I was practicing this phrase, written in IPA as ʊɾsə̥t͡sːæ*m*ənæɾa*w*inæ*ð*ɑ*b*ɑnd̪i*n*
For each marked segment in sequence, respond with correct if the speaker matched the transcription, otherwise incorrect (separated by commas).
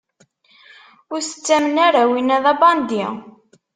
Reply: correct, correct, correct, correct, incorrect